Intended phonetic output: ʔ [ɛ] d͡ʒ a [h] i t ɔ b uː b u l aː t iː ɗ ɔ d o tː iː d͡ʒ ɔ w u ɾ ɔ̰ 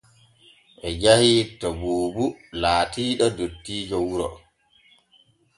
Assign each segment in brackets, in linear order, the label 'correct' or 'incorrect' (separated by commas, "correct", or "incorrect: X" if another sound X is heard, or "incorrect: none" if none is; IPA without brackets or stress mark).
correct, correct